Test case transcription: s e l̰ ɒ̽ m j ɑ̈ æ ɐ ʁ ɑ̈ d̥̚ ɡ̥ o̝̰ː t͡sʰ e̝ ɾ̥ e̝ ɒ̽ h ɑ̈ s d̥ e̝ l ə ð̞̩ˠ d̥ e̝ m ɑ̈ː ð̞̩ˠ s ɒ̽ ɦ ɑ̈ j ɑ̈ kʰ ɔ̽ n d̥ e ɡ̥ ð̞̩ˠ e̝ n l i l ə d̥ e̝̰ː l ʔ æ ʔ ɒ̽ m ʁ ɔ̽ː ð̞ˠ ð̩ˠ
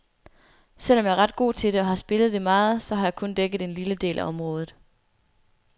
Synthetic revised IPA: s e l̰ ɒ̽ m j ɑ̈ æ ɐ ʁ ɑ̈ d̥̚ ɡ̥ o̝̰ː t͡sʰ e̝ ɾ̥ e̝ ɒ̽ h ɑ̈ s b̥ e̝ l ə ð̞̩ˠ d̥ e̝ m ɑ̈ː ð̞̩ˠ s ɒ̽ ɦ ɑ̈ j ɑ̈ kʰ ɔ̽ n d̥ e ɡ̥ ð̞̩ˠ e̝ n l i l ə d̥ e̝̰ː l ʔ æ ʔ ɒ̽ m ʁ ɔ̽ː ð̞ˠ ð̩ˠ